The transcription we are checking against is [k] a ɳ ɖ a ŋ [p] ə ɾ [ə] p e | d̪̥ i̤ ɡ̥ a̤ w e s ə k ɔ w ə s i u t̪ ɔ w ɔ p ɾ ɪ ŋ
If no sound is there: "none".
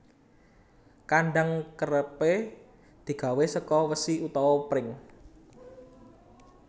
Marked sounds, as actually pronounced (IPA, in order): k, k, ə

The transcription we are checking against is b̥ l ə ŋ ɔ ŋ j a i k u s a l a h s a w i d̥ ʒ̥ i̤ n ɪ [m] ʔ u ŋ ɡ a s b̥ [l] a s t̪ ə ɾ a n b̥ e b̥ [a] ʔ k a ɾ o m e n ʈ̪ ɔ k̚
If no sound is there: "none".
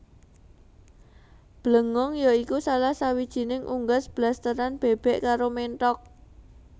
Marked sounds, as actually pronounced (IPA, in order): ŋ, l, ɛ

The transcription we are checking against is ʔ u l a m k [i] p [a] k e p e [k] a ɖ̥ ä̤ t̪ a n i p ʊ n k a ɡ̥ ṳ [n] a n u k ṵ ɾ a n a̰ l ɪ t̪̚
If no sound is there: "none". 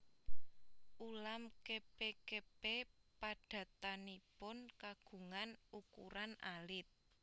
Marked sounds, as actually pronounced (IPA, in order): e, e, p, ŋ

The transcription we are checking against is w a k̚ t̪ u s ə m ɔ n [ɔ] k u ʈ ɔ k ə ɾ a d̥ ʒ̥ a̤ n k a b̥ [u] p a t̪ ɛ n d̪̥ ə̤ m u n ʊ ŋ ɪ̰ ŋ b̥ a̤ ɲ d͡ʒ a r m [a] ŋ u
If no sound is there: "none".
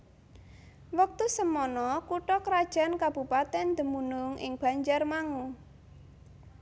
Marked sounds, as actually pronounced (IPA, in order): ɔ, u, a

